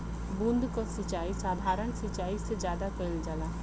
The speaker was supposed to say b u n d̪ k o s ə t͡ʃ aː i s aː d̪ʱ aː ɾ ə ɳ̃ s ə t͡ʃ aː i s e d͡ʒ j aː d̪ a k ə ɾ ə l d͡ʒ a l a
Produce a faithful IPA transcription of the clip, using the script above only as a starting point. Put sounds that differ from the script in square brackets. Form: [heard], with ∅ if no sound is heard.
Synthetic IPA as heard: b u n d̪ k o s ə t͡ʃ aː i s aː d̪ʱ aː ɾ ə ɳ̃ s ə t͡ʃ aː i s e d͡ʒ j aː d̪ a k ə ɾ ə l d͡ʒ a l a